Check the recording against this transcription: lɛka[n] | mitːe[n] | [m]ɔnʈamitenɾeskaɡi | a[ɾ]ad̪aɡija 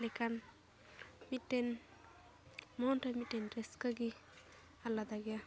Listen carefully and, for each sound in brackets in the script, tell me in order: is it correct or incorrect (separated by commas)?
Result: correct, correct, correct, incorrect